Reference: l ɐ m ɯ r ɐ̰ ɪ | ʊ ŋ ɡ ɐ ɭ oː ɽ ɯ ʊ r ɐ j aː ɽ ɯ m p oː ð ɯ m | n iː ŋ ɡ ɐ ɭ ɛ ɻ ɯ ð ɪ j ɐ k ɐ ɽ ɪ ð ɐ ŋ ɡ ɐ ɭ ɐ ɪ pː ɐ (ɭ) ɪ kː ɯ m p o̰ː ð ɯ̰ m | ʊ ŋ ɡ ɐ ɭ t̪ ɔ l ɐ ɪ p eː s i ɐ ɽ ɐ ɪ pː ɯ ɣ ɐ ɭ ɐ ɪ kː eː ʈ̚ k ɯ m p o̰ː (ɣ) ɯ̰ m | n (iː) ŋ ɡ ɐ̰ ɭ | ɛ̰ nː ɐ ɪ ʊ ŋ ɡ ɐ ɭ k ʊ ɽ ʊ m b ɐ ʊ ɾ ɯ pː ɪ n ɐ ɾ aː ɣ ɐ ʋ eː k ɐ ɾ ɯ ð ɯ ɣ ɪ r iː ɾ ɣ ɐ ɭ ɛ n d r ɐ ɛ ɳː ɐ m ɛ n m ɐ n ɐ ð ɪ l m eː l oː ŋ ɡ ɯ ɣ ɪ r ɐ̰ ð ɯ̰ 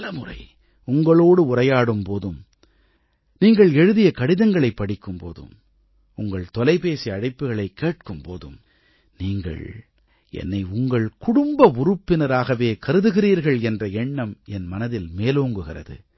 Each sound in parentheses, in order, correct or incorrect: incorrect: ɽ, incorrect: ð, correct

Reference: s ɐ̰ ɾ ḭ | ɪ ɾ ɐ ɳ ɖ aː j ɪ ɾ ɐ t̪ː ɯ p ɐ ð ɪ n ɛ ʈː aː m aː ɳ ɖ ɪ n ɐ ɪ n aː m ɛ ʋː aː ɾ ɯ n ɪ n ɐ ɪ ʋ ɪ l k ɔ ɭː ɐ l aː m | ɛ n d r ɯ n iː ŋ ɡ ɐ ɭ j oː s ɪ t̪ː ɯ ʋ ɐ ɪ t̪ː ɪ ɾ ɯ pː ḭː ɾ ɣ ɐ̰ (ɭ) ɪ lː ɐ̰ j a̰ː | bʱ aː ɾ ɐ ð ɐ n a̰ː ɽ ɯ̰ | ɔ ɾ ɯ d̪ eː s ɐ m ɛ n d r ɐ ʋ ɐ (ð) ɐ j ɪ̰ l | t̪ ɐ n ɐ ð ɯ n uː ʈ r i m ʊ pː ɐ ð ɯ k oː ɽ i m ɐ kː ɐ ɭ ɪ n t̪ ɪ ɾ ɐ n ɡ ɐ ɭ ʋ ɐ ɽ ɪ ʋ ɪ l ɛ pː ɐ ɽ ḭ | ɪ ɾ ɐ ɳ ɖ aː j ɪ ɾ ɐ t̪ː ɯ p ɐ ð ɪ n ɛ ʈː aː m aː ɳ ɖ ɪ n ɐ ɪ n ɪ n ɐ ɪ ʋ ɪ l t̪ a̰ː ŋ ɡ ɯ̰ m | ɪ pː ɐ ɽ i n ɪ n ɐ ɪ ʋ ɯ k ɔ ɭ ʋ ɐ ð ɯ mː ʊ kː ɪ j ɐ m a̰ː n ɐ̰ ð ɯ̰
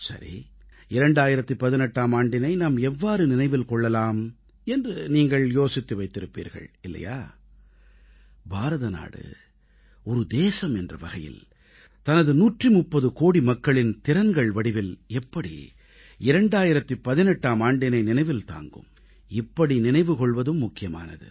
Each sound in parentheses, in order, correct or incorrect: correct, incorrect: ɣ

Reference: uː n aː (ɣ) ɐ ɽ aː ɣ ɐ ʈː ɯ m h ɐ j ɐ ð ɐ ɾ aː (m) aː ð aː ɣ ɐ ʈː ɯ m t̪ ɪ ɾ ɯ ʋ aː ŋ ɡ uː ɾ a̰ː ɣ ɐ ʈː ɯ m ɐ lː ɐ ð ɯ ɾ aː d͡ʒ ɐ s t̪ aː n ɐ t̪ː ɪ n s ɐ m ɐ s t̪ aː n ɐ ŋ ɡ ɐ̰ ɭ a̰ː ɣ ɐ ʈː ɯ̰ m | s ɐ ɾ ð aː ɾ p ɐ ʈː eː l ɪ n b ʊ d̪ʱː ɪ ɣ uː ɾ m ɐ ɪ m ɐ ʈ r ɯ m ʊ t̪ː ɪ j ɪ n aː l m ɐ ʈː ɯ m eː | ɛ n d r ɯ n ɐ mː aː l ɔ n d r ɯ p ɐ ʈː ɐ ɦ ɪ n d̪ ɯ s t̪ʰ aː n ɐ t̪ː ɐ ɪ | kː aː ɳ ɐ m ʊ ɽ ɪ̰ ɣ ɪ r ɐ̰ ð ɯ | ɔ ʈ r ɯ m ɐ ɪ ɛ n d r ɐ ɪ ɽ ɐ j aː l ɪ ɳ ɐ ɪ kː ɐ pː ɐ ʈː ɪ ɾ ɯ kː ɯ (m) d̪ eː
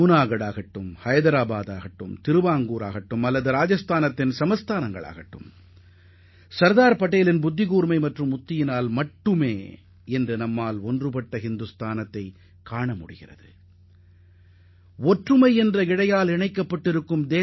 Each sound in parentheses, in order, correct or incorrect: correct, incorrect: b, correct

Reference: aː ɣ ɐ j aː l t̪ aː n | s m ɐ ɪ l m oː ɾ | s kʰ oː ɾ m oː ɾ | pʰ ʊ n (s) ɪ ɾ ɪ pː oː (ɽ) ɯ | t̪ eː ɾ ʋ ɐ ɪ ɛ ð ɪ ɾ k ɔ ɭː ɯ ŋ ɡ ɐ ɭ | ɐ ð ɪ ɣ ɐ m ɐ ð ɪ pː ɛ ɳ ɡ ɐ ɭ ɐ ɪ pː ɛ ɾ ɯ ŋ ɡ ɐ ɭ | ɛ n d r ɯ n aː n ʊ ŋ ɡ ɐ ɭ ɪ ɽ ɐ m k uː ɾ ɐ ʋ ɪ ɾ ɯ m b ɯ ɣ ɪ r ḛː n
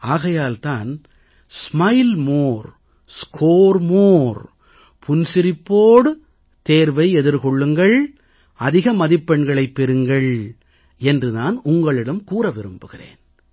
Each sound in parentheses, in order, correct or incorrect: correct, correct

